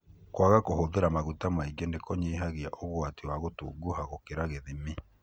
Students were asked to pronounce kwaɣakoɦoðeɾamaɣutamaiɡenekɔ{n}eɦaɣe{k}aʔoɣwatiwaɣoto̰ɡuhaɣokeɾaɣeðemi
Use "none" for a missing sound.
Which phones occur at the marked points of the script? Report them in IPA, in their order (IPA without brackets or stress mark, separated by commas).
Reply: ɲ, none